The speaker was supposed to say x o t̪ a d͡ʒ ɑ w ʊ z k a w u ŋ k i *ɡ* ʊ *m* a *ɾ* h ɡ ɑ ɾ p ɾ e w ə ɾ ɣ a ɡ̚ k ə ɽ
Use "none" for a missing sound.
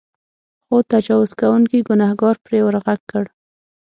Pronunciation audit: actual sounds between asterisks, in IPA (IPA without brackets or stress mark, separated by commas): ɡ, n, none